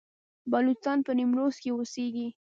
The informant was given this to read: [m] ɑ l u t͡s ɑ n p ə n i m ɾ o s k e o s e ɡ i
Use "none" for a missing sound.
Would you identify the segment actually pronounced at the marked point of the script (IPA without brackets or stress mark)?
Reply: b